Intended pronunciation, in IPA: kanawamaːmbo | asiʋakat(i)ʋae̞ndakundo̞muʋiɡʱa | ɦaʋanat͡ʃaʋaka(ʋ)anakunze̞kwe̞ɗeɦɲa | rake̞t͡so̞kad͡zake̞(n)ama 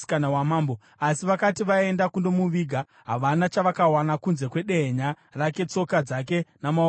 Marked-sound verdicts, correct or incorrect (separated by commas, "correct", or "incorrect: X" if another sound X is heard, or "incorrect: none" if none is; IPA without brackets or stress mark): correct, incorrect: w, correct